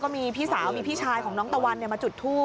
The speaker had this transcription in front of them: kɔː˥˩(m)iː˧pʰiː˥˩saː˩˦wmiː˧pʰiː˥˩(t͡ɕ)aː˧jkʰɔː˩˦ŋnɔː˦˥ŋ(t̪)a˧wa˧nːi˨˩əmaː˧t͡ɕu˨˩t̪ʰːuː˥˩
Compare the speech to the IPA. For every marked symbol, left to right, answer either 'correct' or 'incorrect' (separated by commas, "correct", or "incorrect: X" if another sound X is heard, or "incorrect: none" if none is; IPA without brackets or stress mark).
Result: correct, incorrect: t͡ɕʰ, correct